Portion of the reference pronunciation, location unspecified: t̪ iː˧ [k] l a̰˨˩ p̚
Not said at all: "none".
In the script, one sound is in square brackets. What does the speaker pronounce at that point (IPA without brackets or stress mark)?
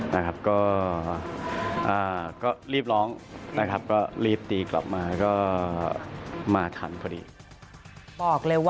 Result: k